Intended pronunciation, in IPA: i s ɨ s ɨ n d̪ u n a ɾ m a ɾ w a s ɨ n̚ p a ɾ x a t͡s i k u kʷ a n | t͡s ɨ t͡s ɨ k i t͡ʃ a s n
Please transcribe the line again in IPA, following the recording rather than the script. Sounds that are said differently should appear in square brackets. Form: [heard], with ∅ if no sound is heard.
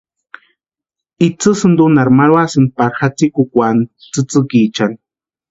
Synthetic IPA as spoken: i [t͡s] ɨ s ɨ n d̪ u n a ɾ m a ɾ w a s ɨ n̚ p a ɾ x a t͡s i k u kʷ a n | t͡s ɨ t͡s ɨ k i t͡ʃ a [∅] n